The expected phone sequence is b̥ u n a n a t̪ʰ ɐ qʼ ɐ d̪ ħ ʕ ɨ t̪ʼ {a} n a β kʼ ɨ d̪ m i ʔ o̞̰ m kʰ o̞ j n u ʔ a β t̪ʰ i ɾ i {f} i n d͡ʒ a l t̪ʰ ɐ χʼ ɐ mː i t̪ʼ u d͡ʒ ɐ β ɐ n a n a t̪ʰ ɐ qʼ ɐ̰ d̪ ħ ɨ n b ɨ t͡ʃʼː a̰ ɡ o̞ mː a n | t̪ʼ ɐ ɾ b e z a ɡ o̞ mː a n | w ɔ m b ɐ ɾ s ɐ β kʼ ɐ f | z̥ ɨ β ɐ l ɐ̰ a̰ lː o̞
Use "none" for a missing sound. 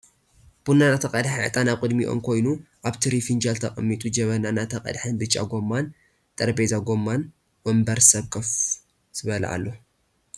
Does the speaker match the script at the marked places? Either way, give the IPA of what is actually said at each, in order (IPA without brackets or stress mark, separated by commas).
a, f